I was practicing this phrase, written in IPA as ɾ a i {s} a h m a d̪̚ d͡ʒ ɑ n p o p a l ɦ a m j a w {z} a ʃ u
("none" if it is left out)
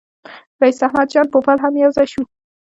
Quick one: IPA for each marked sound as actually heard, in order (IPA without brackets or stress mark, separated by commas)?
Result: s, z